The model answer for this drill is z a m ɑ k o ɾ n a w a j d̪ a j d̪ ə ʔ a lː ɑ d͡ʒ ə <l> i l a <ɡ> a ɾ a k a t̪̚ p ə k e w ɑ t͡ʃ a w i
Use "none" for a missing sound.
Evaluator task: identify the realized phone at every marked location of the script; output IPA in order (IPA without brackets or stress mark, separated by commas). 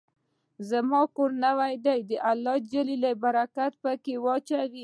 l, b